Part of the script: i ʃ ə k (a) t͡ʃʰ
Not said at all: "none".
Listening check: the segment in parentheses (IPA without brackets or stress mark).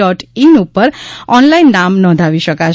a